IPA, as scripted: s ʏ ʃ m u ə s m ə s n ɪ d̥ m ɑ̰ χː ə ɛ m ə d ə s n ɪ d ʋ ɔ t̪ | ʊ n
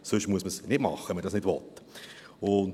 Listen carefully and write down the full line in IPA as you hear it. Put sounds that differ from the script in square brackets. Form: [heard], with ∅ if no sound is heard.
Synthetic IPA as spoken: s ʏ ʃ m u ə s m ə s n ɪ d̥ m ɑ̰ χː ə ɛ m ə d [ɑ] s n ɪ d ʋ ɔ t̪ | ʊ n